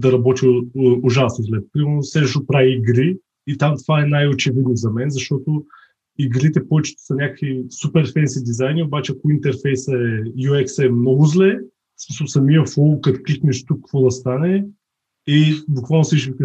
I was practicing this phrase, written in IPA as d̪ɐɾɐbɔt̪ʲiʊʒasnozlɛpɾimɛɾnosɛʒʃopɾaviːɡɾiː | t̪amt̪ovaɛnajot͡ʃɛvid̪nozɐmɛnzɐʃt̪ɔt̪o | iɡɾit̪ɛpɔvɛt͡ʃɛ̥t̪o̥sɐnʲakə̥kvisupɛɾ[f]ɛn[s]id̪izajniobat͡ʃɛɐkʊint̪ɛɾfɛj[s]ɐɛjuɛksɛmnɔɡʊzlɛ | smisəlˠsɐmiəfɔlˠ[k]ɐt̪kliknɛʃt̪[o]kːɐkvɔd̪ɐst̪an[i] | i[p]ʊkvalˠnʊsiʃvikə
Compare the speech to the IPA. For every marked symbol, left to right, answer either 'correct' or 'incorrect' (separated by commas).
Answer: correct, correct, correct, correct, incorrect, incorrect, incorrect